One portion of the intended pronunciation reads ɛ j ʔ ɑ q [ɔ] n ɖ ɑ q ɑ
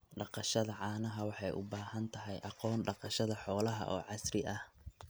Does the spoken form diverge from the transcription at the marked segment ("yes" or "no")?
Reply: yes